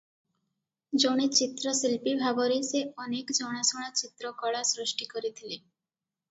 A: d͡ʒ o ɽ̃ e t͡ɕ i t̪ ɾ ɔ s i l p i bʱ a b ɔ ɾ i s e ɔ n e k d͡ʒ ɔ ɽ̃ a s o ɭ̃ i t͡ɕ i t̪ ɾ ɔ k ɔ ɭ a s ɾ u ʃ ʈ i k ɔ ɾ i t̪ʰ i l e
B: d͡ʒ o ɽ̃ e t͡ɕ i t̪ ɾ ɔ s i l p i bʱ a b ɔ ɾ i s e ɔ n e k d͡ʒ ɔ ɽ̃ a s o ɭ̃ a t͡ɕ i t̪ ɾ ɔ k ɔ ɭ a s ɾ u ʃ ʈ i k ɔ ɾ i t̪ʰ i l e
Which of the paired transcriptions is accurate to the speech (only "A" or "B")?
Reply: B